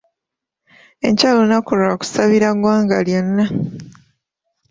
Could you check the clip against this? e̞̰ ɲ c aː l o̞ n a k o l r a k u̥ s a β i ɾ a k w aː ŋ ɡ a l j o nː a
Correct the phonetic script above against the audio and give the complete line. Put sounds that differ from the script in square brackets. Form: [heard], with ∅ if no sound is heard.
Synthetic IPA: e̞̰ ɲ c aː l o̞ n a k o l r a k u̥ s a β i ɾ a [ɡ] w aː ŋ ɡ a l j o nː a